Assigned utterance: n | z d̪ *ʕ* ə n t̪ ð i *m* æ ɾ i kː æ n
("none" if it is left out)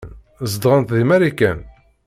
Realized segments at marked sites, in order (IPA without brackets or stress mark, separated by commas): ʁ, m